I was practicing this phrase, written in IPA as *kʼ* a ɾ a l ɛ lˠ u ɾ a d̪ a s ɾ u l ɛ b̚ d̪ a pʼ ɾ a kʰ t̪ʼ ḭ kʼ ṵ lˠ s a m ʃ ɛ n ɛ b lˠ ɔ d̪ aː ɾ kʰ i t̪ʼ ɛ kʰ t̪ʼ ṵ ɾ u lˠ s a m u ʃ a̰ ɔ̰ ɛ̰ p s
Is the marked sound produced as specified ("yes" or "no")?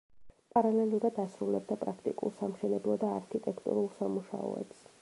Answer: no